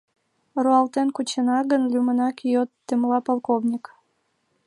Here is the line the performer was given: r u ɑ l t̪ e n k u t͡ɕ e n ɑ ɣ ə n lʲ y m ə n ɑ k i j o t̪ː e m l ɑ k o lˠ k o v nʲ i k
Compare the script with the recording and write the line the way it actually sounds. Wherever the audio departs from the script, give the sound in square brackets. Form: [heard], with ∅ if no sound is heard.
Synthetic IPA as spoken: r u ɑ l t̪ e n k u t͡ɕ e n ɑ ɣ ə n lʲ y m ə n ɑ k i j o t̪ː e m l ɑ [p] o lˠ k o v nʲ i k